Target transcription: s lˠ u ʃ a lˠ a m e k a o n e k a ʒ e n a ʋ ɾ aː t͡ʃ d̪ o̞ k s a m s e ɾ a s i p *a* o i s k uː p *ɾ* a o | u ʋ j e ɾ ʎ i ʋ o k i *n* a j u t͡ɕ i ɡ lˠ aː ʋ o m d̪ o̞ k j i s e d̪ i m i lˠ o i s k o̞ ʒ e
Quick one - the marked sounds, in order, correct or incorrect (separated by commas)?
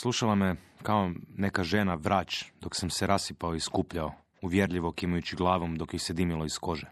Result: correct, incorrect, incorrect